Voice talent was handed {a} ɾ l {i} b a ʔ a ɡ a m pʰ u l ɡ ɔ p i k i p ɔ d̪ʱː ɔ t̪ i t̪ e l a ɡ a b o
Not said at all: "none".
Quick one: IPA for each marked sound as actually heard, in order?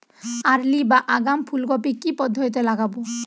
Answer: a, i

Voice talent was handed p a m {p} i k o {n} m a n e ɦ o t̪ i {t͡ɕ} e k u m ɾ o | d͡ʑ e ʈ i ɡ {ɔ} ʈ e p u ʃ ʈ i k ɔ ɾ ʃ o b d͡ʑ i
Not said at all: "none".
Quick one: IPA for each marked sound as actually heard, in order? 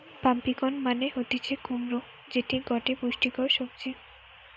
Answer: p, n, t͡ɕʰ, ɔ

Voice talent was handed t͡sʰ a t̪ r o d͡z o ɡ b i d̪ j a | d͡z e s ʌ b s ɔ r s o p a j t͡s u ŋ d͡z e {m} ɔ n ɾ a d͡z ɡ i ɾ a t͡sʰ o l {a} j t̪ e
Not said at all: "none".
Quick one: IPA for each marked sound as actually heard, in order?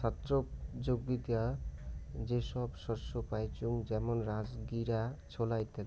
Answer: m, a

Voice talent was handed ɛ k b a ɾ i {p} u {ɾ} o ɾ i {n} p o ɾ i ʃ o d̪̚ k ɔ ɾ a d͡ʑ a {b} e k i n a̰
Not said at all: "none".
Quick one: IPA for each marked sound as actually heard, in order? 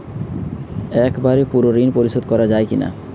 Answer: p, ɾ, n, none

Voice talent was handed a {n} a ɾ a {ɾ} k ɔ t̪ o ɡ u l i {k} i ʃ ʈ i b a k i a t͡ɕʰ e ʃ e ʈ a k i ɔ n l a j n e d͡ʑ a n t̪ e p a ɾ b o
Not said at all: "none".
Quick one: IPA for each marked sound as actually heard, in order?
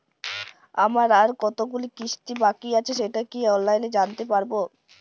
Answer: m, ɾ, k

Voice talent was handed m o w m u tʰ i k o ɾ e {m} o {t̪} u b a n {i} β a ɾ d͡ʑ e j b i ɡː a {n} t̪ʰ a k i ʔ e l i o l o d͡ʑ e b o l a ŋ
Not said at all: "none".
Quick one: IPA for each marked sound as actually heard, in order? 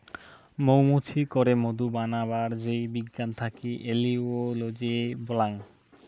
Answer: m, d̪, a, n

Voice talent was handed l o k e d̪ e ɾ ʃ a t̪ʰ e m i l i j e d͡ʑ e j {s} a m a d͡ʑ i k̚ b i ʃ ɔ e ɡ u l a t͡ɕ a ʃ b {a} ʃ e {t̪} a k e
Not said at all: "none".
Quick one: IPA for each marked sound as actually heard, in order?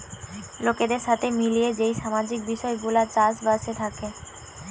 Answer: ʃ, a, t̪ʰ

